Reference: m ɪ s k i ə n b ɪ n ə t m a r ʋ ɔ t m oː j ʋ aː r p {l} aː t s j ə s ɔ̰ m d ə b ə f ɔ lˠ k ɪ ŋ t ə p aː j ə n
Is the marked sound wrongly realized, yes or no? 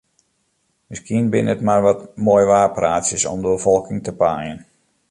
yes